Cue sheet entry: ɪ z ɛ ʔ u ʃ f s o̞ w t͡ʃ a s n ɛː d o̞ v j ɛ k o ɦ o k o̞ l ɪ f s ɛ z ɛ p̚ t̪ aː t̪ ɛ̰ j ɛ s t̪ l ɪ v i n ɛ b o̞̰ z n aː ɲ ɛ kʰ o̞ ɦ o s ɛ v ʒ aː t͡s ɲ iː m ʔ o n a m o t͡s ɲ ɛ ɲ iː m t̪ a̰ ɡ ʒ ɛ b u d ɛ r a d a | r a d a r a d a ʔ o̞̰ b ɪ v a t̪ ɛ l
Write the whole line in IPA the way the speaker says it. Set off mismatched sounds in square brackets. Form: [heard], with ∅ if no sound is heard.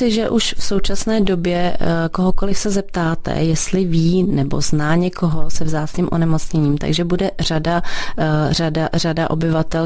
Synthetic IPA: ɪ [ʒ] ɛ ʔ u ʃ f s o̞ w t͡ʃ a s n ɛː d o̞ [b] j ɛ k o ɦ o k o̞ l ɪ f s ɛ z ɛ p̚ t̪ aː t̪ ɛ̰ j ɛ s t̪ l ɪ v [iː] n ɛ b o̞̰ z n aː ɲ ɛ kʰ o̞ ɦ o s ɛ v [z] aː t͡s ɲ iː m ʔ o n [ɛ] m o t͡s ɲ ɛ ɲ iː m t̪ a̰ ɡ ʒ ɛ b u d ɛ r a d a | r a d a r a d a ʔ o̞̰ b ɪ v a t̪ ɛ l